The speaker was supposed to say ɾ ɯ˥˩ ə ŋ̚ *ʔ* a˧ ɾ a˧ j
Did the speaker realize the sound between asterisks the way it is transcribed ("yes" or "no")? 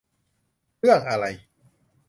yes